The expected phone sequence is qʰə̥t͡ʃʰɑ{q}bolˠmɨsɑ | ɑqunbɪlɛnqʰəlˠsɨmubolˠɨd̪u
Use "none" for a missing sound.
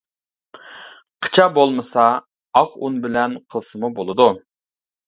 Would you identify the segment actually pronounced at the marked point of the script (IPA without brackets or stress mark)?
none